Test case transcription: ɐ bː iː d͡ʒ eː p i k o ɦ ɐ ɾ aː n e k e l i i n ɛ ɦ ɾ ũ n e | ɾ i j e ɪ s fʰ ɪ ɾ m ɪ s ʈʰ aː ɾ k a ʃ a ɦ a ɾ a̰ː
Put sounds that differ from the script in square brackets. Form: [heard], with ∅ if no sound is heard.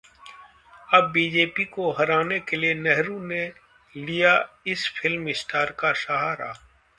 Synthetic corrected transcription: ɐ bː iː d͡ʒ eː p i k o ɦ ɐ ɾ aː n e k e l i [e] n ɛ ɦ ɾ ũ n e | [l] i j [a] ɪ s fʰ ɪ [l] m ɪ s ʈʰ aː ɾ k a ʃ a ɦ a ɾ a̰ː